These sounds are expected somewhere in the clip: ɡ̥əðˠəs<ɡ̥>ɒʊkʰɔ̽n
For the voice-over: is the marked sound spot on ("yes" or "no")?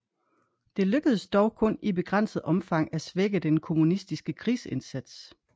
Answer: no